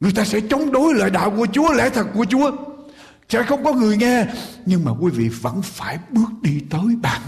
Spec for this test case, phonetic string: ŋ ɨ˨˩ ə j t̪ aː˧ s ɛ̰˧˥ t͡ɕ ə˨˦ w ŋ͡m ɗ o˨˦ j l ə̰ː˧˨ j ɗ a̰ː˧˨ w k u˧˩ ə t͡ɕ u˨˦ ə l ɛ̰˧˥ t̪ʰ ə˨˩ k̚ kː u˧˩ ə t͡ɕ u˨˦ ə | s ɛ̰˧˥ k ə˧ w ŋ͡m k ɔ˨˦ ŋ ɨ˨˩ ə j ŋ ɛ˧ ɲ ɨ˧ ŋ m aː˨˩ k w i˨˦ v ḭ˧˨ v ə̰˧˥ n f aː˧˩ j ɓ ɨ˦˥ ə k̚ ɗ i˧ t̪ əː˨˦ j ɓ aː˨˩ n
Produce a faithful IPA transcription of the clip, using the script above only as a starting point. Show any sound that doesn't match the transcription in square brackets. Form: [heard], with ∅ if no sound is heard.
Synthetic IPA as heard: ŋ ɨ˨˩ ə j t̪ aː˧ s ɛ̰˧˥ t͡ɕ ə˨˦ w ŋ͡m ɗ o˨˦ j l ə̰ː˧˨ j ɗ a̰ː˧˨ w k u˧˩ ə t͡ɕ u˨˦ ə l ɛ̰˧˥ t̪ʰ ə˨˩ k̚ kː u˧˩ ə t͡ɕ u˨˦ ə | s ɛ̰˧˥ [x] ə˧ w ŋ͡m k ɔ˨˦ ŋ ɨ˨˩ ə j ŋ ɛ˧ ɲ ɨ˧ ŋ m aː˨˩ k w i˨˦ v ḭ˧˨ v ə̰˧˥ n f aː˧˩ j ɓ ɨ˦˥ ə k̚ ɗ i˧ t̪ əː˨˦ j ɓ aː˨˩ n